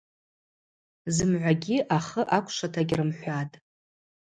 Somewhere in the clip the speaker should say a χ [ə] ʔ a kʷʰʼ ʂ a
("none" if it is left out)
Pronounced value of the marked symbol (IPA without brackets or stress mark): ə